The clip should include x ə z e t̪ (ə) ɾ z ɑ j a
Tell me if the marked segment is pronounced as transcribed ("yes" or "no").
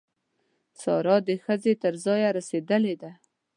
yes